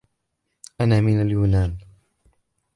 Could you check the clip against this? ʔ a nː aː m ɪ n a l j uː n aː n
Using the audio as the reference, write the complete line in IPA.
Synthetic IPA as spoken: ʔ a n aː m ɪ n a l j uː n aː n

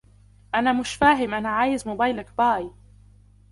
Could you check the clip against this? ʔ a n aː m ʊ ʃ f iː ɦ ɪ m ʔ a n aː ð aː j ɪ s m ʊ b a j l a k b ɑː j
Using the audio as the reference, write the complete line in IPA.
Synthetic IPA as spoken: ʔ a n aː m ʊ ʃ f aː ɦ ɪ m ʔ a n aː ʕ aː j ɪ z m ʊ b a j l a k b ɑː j

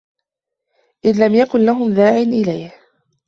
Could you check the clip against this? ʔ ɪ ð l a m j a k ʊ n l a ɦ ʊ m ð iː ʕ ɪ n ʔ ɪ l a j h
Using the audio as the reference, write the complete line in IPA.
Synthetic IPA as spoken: ʔ ɪ ð l a m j a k ʊ n l a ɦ ʊ m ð aː ʕ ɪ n ʔ ɪ l a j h

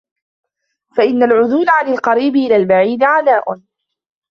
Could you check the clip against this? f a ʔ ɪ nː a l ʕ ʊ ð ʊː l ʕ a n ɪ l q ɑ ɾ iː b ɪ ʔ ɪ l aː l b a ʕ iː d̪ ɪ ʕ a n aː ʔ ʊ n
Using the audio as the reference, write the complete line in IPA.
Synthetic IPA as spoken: f a ʔ ɪ nː a l ʕ ʊ ð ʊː l ʕ a n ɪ l q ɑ ɾ iː b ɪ ʔ ɪ l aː l b a ʕ iː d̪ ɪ ʕ a n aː ʔ ʊ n

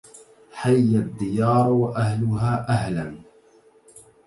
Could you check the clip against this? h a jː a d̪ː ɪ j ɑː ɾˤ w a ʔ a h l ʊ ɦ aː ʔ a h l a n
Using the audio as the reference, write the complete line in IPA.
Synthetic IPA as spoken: ħ a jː a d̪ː ɪ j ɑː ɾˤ w a ʔ a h l ʊ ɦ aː ʔ a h l a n

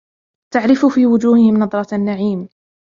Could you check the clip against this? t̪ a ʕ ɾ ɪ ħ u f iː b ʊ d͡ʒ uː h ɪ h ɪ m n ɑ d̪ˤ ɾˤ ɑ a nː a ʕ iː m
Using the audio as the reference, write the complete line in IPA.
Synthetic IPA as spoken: t̪ a ʕ ɾ ɪ f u f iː w ʊ d͡ʒ uː h ɪ h ɪ m n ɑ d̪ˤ ɾˤ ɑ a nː a ʕ iː m

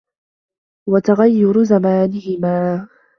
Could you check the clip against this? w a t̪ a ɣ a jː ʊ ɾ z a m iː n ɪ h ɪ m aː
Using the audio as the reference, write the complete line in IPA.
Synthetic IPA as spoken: w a t̪ a ɣ a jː ʊ ɾ z a m aː n ɪ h ɪ m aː

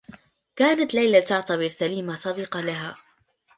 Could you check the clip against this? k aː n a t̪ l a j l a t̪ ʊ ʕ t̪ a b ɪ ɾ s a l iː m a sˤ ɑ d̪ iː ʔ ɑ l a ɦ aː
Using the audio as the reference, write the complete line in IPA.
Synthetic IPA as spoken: k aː n a t̪ l a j l a t̪ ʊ ʕ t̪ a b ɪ ɾ s a l iː m a sˤ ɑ d̪ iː q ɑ l a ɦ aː

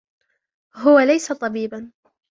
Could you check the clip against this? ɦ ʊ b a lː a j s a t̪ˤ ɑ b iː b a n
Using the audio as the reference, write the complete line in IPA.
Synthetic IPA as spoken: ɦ ʊ w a l a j s a t̪ˤ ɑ b iː b a n

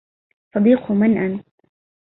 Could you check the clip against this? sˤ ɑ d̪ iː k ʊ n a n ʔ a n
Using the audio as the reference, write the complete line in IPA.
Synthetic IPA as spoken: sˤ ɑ d̪ iː q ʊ m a n ʔ a n

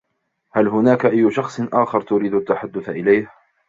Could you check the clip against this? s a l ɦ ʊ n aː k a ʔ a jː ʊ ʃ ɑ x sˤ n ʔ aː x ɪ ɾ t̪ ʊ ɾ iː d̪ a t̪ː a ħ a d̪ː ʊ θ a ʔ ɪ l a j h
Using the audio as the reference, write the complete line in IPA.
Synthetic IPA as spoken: h a l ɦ ʊ n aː k a ʔ a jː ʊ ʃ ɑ x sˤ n ʔ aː x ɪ ɾ t̪ ʊ ɾ iː d̪ a t̪ː a ħ a d̪ː ʊ θ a ʔ ɪ l a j h

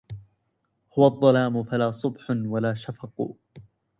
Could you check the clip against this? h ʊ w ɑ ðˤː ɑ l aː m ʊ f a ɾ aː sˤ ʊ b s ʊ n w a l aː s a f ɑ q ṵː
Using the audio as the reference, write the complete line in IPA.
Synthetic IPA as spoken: h ʊ w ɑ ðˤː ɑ l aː m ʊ f a l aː sˤ ʊ b ħ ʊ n w a l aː ʃ a f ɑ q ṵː

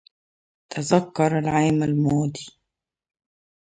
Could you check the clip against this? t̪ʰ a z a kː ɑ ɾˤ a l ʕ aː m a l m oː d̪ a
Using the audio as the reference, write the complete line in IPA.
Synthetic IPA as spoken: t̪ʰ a z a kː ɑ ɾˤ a l ʕ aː m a l m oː d̪ i

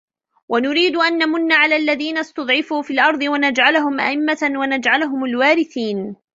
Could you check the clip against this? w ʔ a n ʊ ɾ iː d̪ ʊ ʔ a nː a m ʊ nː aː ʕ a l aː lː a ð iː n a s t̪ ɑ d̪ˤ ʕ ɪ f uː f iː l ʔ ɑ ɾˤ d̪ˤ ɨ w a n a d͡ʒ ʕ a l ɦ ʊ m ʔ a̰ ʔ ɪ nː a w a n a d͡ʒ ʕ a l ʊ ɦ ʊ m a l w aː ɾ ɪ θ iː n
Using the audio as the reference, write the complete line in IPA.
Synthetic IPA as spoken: w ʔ a n ʊ ɾ iː d̪ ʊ ʔ a nː a m ʊ nː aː ʕ a l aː lː a ð iː n a s t̪ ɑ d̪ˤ ʕ ɪ f uː f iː l ʔ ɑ ɾˤ d̪ˤ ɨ w a n a d͡ʒ ʕ a l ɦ ʊ m ʔ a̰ ʔ ɪ mː a w a n a d͡ʒ ʕ a l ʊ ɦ ʊ m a l w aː ɾ ɪ θ iː n

